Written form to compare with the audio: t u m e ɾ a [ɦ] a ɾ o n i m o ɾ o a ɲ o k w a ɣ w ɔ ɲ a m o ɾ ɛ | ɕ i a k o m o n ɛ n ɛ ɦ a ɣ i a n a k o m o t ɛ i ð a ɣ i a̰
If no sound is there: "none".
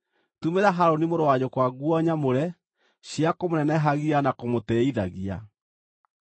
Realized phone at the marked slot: ɦ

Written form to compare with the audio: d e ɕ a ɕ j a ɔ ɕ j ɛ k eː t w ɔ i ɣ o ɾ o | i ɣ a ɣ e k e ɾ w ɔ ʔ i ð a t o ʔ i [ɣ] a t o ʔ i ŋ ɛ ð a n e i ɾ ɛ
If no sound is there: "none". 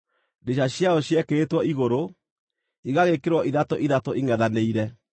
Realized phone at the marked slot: ð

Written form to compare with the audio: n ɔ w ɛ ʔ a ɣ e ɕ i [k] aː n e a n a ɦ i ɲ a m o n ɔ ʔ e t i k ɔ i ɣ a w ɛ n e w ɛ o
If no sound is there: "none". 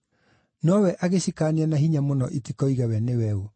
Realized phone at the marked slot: k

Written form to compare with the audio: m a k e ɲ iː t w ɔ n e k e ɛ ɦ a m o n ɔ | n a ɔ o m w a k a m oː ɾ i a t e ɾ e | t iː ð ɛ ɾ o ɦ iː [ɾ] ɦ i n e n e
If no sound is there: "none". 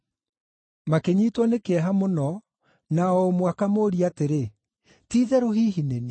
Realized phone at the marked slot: none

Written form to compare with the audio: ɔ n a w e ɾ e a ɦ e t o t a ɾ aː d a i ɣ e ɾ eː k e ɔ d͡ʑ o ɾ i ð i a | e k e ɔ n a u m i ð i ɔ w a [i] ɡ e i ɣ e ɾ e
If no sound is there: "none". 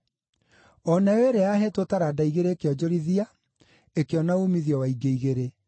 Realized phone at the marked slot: i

